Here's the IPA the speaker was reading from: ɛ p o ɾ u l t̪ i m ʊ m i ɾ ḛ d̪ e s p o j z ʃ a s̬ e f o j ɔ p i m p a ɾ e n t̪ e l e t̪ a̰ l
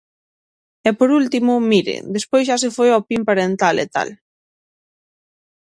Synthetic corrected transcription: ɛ p o ɾ u l t̪ i m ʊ m i ɾ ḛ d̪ e s p o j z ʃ a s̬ e f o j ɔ p i m p a ɾ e n t̪ a l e t̪ a̰ l